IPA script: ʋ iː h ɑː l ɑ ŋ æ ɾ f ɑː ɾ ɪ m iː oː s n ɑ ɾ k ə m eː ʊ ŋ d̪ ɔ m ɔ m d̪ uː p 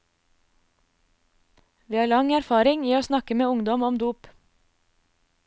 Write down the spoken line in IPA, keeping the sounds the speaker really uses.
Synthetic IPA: ʋ iː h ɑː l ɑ ŋ æ ɾ f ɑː ɾ ɪ ŋ iː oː s n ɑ k ə m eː ʊ ŋ d̪ ɔ m ɔ m d̪ uː p